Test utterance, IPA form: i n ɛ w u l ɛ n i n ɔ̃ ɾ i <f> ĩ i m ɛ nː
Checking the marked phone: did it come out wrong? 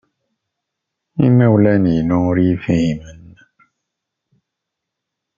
no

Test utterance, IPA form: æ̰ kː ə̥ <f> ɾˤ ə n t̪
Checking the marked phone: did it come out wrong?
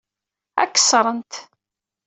yes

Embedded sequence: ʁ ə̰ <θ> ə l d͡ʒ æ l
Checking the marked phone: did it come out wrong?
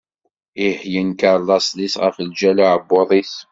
yes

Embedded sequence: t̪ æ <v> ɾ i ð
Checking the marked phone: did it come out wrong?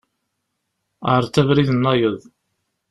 no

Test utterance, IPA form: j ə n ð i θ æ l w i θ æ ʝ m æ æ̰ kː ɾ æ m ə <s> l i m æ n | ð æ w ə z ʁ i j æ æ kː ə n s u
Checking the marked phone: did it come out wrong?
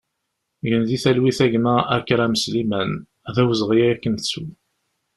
no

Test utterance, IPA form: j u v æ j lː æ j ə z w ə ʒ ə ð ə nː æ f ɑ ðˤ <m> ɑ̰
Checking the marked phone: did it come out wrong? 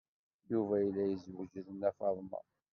no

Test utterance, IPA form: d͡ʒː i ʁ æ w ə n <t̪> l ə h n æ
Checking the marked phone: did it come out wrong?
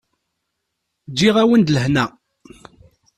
yes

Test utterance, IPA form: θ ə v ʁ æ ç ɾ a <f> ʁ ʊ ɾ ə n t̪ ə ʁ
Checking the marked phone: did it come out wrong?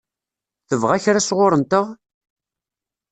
yes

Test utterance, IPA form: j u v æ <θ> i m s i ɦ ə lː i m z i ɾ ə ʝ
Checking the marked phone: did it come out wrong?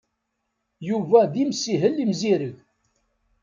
yes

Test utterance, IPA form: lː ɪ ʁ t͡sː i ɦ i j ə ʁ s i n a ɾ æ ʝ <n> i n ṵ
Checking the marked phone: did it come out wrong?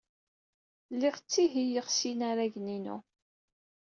no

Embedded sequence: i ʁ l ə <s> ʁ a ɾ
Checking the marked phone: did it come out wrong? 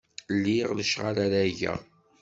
yes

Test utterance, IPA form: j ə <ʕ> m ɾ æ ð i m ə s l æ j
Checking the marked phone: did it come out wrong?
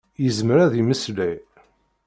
yes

